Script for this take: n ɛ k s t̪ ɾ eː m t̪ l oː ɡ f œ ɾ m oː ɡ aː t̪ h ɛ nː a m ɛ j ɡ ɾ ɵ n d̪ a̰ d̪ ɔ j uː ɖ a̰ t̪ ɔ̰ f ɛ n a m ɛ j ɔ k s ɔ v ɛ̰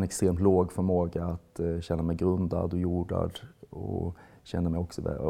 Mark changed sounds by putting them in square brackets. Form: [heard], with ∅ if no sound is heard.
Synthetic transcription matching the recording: n ɛ k s t̪ ɾ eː m t̪ l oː ɡ f œ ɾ m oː ɡ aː t̪ [ɕ] ɛ nː a m ɛ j ɡ ɾ ɵ n d̪ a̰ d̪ ɔ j uː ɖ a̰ [d̪] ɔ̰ [ɕ] ɛ [nː] a m ɛ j ɔ k s ɔ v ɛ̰